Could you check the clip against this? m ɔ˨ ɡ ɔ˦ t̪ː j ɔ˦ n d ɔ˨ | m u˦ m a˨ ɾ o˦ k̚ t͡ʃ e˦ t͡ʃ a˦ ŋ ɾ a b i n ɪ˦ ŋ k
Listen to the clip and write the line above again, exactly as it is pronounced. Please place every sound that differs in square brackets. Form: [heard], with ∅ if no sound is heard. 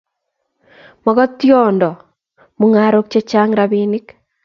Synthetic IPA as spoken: m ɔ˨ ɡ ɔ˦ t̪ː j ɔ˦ n d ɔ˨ | m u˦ [ŋ] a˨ ɾ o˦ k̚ t͡ʃ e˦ t͡ʃ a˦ ŋ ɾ a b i n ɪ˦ [∅] k